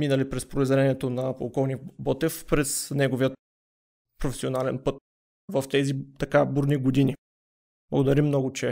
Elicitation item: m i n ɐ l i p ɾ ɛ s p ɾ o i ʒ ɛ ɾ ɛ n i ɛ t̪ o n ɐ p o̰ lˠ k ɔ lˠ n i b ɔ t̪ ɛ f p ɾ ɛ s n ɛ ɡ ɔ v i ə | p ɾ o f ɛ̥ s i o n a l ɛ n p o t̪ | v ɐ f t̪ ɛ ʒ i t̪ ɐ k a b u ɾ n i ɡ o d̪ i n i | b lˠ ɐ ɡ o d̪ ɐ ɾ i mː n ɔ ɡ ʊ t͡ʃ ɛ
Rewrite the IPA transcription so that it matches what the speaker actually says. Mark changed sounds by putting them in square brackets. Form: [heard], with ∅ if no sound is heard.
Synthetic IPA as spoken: m i n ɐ l i p ɾ ɛ s p ɾ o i [z] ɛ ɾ ɛ n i ɛ t̪ o n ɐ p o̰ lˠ k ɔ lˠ n i b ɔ t̪ ɛ f p ɾ ɛ s n ɛ ɡ [o] v i ə | p ɾ o f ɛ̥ s i o n a l ɛ n p [ɤ] t̪ | v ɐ f t̪ ɛ [z] i t̪ ɐ k a b u ɾ n i ɡ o d̪ i n i | b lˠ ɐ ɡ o d̪ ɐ ɾ i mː n ɔ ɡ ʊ t͡ʃ ɛ